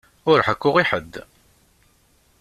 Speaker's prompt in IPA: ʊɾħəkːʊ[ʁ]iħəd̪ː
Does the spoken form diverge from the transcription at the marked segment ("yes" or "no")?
no